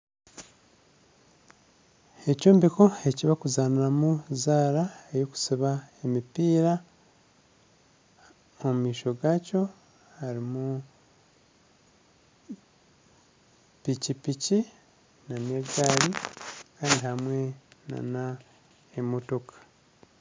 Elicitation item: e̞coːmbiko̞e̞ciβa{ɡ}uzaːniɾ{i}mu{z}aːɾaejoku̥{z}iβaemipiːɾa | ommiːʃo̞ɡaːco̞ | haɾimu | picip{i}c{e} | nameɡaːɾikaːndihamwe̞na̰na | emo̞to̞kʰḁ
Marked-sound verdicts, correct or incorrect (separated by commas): incorrect, incorrect, correct, incorrect, correct, incorrect